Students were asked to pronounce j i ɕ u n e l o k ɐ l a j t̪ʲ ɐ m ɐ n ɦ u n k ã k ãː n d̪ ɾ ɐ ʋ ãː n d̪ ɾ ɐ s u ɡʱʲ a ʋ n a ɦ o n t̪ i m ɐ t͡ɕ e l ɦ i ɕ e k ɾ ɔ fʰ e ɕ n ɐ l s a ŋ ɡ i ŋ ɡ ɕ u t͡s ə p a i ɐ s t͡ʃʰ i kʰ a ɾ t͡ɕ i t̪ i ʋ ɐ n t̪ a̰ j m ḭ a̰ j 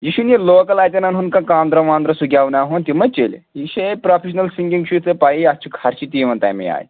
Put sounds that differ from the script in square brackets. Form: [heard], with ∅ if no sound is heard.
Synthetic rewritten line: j i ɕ u n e l o k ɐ l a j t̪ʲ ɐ [n] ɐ n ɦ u n k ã k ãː n d̪ ɾ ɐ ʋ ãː n d̪ ɾ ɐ s u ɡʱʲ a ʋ n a ɦ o n t̪ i m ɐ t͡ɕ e l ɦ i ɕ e [p] ɾ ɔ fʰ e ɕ n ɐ l s [i] ŋ ɡ i ŋ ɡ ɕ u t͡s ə p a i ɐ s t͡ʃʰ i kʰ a ɾ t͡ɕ i t̪ i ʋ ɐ n t̪ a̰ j m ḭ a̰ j